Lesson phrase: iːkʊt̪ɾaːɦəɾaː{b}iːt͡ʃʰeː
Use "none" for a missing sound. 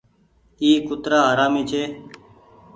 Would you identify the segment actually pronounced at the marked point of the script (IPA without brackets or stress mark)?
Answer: m